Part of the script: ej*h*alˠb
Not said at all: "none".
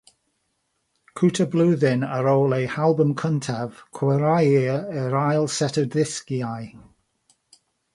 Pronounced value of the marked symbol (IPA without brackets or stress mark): h